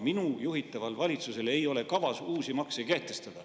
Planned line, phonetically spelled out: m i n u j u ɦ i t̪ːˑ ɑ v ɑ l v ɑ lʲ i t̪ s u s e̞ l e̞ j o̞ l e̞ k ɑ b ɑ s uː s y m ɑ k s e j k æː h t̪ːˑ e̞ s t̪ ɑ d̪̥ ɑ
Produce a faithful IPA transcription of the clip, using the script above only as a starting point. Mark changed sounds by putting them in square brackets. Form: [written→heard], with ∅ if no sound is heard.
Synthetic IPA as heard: m i n u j u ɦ i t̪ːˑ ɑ v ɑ l v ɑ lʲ i t̪ s u s e̞ l e̞ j o̞ l e̞ k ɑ [b→v] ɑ s uː s [y→i] m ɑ k s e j k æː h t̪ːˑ e̞ s t̪ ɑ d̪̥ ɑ